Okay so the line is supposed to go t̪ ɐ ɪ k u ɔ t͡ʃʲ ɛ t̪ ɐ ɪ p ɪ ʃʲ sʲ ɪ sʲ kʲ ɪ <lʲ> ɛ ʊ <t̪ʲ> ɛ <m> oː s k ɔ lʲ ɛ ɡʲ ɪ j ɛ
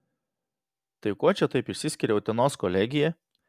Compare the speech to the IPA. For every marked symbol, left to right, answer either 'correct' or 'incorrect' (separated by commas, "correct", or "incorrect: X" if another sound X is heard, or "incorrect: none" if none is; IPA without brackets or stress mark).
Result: incorrect: ɾʲ, correct, incorrect: n